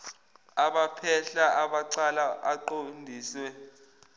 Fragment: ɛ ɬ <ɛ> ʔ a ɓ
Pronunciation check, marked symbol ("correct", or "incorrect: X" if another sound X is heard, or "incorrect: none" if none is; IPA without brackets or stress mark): incorrect: a